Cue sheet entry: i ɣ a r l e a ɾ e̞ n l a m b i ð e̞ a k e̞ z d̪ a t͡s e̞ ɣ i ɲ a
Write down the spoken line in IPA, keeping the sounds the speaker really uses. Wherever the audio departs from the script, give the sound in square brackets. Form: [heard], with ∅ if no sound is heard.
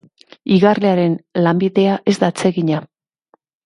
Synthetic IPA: i ɣ a r l e a ɾ e̞ n l a m b i ð e̞ a [ʔ] e̞ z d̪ a t͡s e̞ ɣ i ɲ a